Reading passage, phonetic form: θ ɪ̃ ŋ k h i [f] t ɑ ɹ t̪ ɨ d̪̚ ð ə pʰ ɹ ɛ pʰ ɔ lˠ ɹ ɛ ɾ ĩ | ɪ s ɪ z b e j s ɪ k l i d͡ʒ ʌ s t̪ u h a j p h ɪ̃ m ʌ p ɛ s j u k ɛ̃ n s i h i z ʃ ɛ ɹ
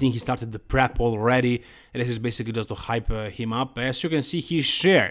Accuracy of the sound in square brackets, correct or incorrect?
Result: incorrect